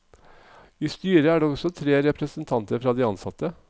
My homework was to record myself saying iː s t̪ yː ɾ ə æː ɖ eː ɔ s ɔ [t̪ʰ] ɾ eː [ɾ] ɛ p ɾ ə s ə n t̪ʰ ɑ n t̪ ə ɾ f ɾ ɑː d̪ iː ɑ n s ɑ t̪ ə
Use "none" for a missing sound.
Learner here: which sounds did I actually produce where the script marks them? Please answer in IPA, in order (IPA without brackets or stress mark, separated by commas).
t̪ʰ, ɾ